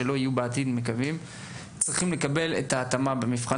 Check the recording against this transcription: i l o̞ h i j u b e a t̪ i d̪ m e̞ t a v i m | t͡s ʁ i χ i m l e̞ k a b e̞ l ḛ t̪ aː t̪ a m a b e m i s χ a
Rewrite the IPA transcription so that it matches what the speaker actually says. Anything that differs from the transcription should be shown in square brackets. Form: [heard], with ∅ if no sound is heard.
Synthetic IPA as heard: [e] l o̞ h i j u b e a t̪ i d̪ m e̞ [k] a v i m | t͡s ʁ i χ i m l e̞ k a b e̞ l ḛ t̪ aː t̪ a m a b e m i [f] χ a